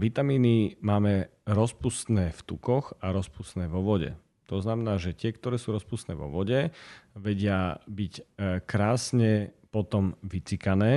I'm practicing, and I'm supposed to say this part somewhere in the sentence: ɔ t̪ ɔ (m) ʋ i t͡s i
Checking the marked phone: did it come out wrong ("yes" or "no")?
no